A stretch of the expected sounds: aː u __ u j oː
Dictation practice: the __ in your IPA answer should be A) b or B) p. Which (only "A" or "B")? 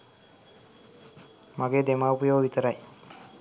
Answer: B